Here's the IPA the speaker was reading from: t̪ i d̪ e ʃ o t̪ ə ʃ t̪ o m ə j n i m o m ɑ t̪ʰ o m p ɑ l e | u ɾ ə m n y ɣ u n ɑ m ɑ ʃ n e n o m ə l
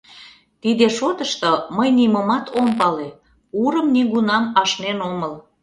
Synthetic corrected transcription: t̪ i d̪ e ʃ o t̪ ə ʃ t̪ o m ə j n i m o m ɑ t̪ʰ o m p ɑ l e | u ɾ ə m n i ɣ u n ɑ m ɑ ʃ n e n o m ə l